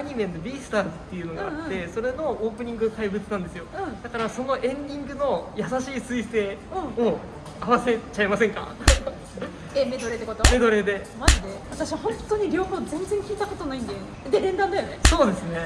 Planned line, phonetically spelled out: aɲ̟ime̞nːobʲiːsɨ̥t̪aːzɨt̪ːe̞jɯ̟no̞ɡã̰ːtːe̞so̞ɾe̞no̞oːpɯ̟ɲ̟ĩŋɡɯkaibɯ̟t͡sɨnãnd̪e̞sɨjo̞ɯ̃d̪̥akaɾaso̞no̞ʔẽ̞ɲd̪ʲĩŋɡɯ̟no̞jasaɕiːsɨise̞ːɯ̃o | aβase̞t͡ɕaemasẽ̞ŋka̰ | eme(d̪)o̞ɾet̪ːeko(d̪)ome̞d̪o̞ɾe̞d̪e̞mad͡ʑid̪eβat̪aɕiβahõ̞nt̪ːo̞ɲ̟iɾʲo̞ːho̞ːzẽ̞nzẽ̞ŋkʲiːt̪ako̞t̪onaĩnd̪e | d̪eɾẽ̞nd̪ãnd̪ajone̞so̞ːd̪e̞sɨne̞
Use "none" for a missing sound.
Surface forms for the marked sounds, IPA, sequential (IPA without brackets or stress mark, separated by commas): d̪, t̪